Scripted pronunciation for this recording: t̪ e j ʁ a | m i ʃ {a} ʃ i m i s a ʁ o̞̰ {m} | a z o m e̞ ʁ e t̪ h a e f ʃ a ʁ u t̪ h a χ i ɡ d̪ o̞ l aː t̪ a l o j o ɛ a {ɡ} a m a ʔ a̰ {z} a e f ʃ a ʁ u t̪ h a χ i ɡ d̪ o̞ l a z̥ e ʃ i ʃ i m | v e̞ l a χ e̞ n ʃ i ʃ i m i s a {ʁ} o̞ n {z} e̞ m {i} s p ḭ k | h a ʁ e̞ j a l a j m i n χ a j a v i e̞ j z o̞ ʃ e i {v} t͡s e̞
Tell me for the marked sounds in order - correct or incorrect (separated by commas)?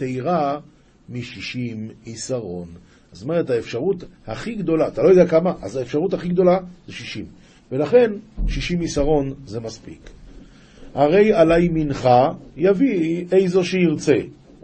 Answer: incorrect, incorrect, incorrect, correct, correct, correct, incorrect, incorrect